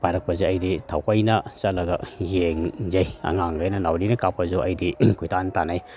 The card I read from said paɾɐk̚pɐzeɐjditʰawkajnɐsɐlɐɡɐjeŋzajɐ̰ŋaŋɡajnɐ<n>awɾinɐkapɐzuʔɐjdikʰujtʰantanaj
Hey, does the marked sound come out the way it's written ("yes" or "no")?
yes